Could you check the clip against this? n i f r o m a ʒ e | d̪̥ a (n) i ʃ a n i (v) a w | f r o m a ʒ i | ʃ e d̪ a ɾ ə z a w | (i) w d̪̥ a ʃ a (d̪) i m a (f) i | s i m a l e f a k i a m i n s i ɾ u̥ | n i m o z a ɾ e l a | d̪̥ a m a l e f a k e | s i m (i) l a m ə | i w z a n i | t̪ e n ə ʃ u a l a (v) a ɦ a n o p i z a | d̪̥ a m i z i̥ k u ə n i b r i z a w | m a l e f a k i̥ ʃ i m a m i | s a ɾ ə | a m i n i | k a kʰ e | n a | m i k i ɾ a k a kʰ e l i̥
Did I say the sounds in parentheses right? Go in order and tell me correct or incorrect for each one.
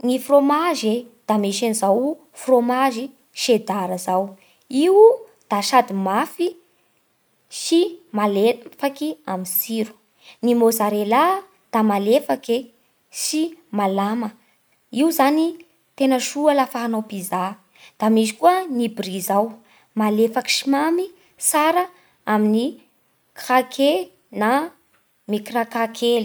incorrect: m, incorrect: z, correct, correct, correct, incorrect: a, incorrect: f

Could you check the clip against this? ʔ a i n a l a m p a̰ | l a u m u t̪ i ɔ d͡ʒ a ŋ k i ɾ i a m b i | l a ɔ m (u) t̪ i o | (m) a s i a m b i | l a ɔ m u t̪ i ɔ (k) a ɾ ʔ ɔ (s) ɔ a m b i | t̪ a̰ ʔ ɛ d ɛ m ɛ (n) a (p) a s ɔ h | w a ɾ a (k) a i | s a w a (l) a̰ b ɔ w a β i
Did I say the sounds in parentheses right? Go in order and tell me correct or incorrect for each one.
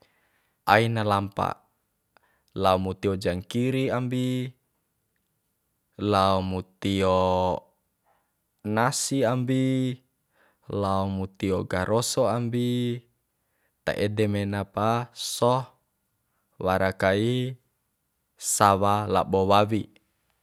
correct, incorrect: n, incorrect: ɡ, correct, correct, correct, correct, correct

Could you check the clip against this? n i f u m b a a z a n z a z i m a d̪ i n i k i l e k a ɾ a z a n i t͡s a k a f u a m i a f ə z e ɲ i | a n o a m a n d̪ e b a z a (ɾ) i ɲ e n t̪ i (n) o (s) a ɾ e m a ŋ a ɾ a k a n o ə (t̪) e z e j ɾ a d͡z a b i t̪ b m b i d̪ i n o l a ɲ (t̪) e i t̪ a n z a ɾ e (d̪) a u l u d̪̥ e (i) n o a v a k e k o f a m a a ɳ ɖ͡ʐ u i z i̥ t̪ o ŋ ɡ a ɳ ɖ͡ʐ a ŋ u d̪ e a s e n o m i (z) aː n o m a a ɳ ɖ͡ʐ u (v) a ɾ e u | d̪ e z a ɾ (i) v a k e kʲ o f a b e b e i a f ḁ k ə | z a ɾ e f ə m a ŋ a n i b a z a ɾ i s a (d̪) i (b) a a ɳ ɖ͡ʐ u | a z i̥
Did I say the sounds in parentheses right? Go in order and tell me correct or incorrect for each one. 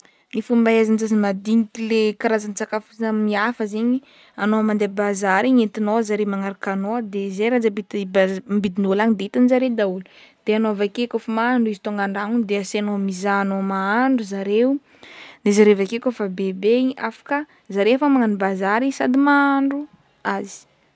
correct, correct, incorrect: z, incorrect: d̪, incorrect: d̪, correct, incorrect: a, correct, incorrect: z, incorrect: e, correct, incorrect: m

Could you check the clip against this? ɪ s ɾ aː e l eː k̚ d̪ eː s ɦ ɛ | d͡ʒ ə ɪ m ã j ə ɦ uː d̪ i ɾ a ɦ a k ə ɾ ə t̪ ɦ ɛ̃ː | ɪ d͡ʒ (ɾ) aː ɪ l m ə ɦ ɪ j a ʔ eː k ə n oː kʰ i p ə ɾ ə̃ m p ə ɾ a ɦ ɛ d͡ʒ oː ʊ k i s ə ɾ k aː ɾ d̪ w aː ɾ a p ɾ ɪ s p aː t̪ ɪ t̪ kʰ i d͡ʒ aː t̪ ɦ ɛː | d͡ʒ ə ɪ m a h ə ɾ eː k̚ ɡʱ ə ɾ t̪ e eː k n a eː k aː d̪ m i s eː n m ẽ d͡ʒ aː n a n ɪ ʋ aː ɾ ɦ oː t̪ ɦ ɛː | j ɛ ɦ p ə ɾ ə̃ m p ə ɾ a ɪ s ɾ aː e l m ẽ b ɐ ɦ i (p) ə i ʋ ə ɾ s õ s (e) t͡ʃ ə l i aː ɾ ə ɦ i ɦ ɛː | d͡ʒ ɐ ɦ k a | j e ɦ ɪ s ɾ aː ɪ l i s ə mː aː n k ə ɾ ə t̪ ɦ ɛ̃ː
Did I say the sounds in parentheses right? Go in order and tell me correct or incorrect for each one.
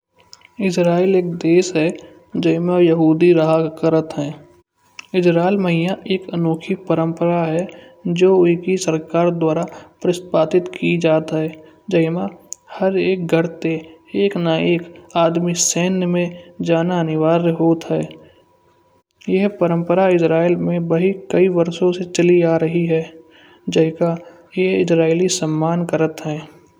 correct, incorrect: k, correct

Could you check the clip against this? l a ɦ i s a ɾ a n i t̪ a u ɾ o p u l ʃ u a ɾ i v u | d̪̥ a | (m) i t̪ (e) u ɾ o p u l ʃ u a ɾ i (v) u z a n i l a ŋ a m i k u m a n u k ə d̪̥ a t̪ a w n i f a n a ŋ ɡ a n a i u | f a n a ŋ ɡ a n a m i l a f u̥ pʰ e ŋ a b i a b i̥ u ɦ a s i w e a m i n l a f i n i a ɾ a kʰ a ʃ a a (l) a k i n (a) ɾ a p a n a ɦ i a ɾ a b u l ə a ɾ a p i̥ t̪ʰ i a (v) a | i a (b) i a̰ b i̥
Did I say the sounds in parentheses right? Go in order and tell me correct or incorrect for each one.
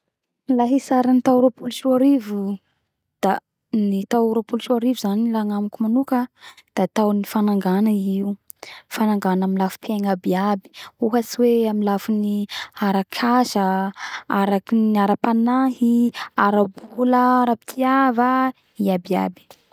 incorrect: n, incorrect: a, correct, incorrect: ɾ, correct, correct, correct

